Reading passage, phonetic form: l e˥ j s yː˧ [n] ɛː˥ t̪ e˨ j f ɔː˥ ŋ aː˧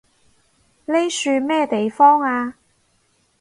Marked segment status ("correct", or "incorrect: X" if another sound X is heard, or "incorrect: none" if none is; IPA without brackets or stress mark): incorrect: m